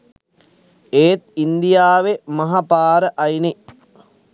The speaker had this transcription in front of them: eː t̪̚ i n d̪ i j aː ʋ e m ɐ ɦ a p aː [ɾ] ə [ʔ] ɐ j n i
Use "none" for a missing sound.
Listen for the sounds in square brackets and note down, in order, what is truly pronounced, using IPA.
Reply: ɾ, ʔ

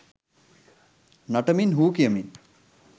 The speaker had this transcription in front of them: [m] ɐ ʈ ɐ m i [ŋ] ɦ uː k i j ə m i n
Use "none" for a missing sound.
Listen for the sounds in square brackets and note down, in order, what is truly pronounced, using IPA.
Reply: n, n

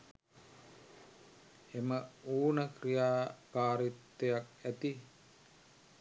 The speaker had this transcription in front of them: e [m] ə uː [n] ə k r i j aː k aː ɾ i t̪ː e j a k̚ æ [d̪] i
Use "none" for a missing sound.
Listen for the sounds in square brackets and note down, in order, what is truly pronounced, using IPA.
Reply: m, n, t̪

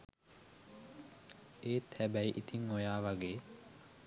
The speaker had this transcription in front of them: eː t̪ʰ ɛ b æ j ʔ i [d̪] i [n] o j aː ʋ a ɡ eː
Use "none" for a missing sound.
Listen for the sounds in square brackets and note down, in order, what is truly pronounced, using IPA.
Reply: t̪, ŋ

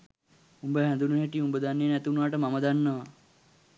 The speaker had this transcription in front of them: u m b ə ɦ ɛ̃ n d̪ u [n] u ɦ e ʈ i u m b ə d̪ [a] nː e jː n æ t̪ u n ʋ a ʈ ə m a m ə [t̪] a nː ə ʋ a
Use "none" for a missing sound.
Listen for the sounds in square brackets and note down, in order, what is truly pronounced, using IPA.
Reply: n, a, d̪

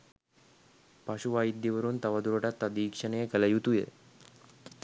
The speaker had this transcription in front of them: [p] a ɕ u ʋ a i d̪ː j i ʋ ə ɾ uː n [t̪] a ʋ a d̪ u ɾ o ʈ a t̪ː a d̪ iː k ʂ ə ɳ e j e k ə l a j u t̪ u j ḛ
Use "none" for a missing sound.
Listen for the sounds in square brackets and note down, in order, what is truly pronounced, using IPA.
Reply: p, t̪

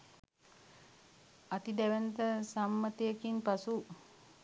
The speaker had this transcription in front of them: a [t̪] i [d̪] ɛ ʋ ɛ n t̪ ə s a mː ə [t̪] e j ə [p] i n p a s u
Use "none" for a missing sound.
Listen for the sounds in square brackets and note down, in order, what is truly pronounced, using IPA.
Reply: t̪, d̪, t̪, k

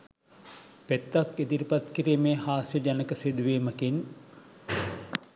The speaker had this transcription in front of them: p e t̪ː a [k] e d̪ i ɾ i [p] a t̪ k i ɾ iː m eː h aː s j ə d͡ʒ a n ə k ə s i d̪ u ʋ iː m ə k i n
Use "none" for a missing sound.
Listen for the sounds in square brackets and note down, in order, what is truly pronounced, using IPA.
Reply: k, p

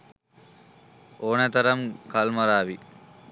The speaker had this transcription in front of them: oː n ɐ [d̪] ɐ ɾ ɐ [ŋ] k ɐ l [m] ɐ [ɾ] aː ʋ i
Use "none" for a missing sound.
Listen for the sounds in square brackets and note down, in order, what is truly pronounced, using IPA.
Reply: t̪, m, m, ɾ

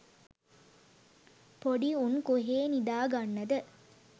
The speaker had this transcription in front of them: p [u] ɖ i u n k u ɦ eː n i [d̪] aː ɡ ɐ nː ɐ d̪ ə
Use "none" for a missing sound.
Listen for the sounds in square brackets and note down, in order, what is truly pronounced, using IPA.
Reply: o, d̪

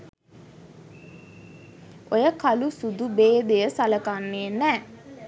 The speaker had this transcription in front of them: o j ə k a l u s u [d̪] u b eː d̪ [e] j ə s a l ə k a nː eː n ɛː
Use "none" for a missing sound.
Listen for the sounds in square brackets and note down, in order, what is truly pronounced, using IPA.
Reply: d̪, e

